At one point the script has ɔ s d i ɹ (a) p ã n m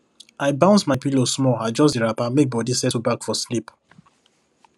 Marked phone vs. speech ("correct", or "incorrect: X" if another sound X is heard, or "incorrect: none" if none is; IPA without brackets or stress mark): correct